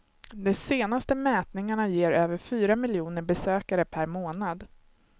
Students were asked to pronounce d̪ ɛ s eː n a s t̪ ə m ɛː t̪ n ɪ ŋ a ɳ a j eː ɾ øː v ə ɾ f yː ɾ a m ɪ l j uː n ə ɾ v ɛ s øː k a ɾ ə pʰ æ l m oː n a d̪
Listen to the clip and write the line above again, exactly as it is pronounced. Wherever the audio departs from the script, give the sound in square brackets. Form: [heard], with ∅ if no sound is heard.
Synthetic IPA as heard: d̪ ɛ s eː n a s t̪ ə m ɛː t̪ n ɪ ŋ a ɳ a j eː ɾ øː v ə ɾ f yː ɾ a m ɪ l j uː n ə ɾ [b] ɛ s øː k a ɾ ə pʰ æ [ɾ] m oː n a d̪